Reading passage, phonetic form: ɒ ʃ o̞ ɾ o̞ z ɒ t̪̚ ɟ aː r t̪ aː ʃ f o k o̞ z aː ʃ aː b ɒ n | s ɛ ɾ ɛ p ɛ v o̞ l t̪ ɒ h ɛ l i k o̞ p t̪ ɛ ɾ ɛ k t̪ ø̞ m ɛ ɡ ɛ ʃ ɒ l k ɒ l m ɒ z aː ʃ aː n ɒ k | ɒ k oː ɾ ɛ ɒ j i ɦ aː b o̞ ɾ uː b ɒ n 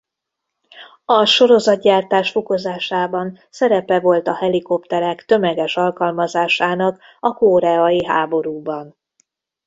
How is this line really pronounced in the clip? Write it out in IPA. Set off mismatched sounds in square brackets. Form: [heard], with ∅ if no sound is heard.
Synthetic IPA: ɒ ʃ o̞ ɾ o̞ z ɒ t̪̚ ɟ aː r t̪ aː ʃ f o k o̞ z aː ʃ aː b ɒ n | s ɛ ɾ ɛ p ɛ v o̞ l t̪ ɒ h ɛ l i k o̞ p t̪ ɛ ɾ ɛ k t̪ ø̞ m ɛ ɡ ɛ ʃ ɒ l k ɒ l m ɒ z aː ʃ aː n ɒ k | ɒ k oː ɾ ɛ ɒ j i ɦ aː b o̞ ɾ uː b ɒ n